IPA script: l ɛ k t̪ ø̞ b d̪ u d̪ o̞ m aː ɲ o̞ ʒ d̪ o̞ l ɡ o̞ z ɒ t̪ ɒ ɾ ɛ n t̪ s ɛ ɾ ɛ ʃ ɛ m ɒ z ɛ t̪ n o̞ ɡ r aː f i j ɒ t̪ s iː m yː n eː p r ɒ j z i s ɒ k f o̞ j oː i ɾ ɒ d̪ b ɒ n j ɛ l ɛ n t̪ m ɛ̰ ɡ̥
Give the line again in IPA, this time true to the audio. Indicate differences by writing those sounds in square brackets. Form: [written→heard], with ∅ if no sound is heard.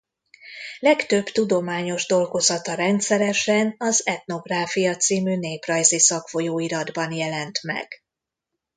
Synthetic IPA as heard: l ɛ k t̪ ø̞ b [d̪→t̪] u d̪ o̞ m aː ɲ o̞ ʒ d̪ o̞ l ɡ o̞ z ɒ t̪ ɒ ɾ ɛ n t̪ s ɛ ɾ ɛ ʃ ɛ [m→n] ɒ z ɛ t̪ n o̞ ɡ r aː f i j ɒ t̪ s iː m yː n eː p r ɒ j z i s ɒ k f o̞ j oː i ɾ ɒ d̪ b ɒ n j ɛ l ɛ n t̪ m ɛ̰ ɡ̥